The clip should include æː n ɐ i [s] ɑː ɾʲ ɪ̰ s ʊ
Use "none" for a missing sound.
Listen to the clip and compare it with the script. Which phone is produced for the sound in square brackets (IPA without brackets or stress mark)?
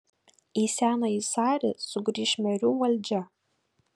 s